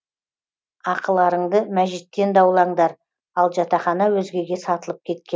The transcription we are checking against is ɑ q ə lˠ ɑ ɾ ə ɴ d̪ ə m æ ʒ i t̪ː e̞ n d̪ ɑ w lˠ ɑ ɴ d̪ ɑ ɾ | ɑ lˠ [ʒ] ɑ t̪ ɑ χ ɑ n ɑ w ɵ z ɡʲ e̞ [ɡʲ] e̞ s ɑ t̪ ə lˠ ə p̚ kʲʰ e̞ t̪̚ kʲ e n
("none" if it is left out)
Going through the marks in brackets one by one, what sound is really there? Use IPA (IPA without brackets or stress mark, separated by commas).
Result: ʒ, ɡʲ